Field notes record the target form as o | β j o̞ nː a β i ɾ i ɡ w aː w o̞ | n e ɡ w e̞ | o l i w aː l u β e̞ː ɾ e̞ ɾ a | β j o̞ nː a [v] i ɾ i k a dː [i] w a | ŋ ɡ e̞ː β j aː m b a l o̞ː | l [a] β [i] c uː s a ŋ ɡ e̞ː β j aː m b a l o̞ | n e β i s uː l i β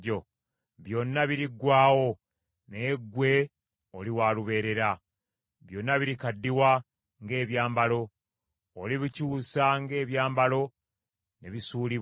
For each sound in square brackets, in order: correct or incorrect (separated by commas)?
incorrect, correct, incorrect, correct